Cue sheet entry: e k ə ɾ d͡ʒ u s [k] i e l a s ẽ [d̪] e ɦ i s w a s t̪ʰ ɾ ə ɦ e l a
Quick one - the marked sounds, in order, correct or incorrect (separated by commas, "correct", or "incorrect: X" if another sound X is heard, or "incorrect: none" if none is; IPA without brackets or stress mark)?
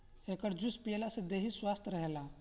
incorrect: p, correct